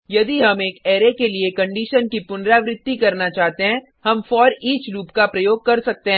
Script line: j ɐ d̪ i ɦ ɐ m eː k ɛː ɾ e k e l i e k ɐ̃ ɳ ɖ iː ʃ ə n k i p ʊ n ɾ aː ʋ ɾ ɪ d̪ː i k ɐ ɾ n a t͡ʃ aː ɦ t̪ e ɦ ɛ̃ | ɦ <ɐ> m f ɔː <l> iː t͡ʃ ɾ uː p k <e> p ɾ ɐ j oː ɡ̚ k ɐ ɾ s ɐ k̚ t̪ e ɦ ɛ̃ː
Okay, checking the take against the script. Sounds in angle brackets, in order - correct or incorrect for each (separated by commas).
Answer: correct, incorrect, incorrect